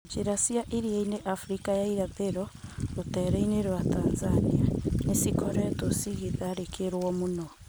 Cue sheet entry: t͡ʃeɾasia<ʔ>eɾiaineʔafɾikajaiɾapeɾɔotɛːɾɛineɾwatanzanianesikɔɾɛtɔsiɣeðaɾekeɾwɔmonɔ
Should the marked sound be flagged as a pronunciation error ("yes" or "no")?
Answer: no